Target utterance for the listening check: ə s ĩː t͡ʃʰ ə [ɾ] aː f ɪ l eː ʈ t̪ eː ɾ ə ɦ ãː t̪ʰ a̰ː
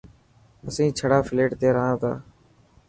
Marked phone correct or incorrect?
incorrect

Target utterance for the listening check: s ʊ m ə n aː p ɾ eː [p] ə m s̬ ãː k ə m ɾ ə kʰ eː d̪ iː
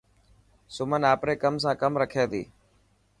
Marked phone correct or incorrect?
incorrect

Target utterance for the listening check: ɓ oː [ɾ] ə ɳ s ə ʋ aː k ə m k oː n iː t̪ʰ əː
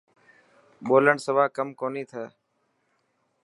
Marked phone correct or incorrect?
incorrect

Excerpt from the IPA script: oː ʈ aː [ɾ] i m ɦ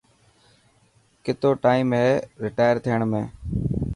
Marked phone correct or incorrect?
incorrect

